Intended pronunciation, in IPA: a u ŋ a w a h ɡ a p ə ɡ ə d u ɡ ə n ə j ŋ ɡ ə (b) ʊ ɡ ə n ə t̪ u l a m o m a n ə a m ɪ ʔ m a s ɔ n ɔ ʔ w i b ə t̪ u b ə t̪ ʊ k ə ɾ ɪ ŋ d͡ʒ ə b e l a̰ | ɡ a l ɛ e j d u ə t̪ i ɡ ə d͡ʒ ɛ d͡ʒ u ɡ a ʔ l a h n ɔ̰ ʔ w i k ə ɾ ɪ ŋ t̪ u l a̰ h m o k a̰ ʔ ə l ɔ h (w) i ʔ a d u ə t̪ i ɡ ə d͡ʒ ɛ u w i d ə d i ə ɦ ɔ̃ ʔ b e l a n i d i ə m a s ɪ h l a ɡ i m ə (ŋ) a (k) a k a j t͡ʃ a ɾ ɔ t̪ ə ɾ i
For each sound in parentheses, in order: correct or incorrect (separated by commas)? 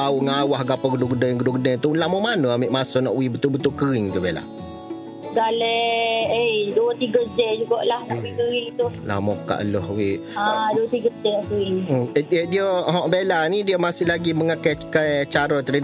incorrect, correct, correct, correct